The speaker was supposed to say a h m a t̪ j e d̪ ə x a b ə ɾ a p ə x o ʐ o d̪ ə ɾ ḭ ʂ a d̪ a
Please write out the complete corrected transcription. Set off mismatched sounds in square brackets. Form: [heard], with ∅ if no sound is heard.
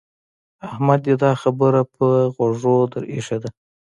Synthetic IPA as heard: a h m a [d̪] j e d̪ [ɑ] x a b ə ɾ a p ə [ɣ] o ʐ o d̪ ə ɾ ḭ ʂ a d̪ a